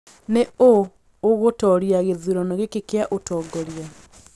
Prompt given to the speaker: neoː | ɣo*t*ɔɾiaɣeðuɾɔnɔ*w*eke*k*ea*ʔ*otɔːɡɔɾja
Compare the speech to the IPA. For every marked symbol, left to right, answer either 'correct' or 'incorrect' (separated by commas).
correct, incorrect, correct, correct